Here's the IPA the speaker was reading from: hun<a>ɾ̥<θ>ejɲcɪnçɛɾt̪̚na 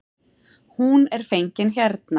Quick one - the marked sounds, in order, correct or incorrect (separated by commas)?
incorrect, incorrect